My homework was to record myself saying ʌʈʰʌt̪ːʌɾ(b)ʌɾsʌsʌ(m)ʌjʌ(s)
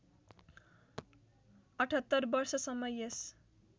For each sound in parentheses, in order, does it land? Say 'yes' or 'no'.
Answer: yes, yes, yes

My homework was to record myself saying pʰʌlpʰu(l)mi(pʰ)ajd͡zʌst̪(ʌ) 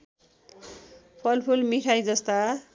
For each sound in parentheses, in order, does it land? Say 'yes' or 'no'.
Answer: yes, no, no

